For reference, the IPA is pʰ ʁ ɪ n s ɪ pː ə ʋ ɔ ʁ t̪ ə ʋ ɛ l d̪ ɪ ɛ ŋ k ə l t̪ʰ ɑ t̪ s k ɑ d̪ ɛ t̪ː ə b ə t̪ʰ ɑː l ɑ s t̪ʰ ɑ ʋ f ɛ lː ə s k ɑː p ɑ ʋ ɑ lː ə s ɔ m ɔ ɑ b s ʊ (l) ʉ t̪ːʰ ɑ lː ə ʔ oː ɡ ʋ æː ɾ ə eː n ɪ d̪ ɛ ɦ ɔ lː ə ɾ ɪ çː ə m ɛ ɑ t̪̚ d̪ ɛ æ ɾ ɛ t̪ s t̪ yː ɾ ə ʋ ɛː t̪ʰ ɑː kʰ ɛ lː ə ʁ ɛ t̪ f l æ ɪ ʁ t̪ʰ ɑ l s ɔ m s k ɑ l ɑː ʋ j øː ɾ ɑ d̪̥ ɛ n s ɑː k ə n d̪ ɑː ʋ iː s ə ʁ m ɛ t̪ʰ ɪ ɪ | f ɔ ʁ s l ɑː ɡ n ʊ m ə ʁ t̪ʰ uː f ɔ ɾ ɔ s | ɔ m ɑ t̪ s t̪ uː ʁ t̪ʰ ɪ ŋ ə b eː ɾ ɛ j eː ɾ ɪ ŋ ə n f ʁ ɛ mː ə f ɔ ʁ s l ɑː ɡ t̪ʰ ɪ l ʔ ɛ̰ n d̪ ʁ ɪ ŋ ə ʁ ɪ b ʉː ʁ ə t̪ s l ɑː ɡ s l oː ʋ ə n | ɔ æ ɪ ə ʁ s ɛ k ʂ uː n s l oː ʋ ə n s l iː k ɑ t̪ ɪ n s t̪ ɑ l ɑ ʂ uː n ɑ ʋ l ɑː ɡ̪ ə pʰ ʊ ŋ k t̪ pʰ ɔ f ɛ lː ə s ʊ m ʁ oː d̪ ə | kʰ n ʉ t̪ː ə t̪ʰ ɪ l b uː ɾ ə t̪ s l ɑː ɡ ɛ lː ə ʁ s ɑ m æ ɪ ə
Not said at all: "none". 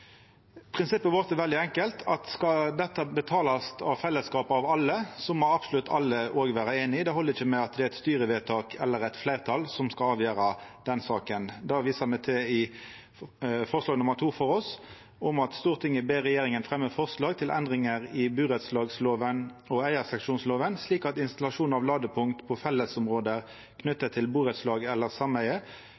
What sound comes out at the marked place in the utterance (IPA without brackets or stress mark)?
l